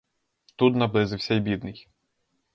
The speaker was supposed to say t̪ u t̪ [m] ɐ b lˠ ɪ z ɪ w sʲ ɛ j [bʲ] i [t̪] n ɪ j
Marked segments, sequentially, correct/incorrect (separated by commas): incorrect, correct, incorrect